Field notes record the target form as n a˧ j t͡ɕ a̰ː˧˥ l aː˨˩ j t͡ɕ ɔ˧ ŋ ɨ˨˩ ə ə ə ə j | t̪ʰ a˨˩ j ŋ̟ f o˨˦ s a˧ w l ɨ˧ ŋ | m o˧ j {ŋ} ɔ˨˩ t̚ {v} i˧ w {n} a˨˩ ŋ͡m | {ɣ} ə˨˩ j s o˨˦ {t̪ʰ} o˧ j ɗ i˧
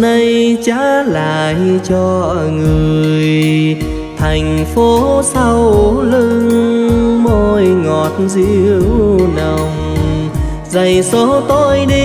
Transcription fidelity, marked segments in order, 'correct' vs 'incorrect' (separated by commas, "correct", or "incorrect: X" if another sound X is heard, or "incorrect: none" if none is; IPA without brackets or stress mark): correct, incorrect: z, correct, incorrect: z, incorrect: t̪